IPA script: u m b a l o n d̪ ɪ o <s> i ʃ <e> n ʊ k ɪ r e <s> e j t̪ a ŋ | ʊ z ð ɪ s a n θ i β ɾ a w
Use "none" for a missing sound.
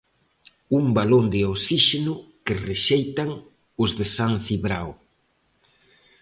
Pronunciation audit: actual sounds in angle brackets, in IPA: s, e, ʃ

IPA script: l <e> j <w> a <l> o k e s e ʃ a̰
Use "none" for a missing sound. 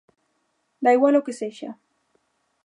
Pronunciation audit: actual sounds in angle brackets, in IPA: a, w, l

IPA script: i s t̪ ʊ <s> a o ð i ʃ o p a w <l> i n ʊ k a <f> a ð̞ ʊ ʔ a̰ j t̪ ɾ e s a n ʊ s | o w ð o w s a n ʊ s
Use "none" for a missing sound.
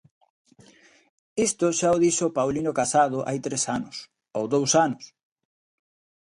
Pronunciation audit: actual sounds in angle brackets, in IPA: ʃ, l, s

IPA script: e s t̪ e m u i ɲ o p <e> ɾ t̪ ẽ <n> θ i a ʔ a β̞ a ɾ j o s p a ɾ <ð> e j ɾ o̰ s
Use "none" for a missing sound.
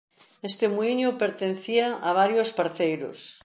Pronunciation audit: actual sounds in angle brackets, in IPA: e, n, θ

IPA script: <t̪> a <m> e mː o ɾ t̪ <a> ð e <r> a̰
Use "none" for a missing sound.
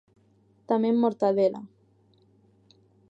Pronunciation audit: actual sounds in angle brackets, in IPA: t̪, m, a, l

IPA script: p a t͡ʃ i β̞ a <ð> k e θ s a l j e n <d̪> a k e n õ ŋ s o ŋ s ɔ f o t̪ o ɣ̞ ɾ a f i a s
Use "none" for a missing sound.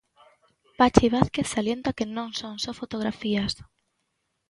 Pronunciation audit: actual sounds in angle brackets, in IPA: θ, t̪

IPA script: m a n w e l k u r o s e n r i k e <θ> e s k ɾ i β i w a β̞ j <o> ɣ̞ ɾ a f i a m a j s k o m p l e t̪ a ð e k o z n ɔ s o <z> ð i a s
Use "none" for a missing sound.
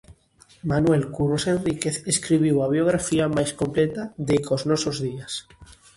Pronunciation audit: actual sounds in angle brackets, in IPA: θ, o, z

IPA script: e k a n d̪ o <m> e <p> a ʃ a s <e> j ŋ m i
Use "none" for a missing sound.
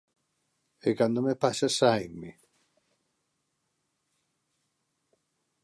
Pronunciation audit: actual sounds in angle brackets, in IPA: m, p, a

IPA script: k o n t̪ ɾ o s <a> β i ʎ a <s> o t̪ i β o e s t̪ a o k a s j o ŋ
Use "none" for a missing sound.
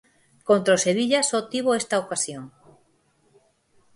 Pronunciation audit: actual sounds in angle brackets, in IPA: e, s

